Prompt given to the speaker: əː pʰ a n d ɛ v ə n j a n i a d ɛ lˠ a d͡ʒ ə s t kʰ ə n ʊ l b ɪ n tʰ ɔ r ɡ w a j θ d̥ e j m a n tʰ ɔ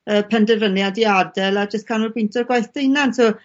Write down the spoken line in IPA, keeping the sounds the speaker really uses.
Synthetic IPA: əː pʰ ɛ n d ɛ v ə n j a d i a d ɛ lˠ a d͡ʒ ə s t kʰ a n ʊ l b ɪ n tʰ ɔ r ɡ w a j θ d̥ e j n a n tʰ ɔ